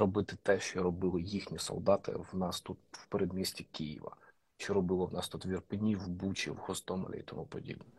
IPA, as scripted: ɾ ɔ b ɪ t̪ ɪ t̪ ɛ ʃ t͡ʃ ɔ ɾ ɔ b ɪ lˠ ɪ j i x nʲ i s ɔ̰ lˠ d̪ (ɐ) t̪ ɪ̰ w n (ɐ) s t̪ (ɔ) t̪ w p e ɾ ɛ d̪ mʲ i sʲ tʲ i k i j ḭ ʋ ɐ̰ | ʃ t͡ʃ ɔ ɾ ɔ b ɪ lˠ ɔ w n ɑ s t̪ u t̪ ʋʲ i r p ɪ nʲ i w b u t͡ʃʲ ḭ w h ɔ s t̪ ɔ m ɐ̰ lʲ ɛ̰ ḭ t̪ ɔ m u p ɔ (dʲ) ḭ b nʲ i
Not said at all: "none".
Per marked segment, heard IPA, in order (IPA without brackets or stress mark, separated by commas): ɑ, ɑ, u, dʲ